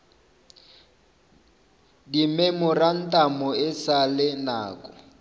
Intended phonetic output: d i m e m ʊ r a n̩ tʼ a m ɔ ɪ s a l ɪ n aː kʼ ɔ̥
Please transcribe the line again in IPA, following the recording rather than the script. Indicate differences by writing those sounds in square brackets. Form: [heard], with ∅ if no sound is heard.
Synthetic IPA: d i m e m ʊ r a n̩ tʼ a m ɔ ɪ s a l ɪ n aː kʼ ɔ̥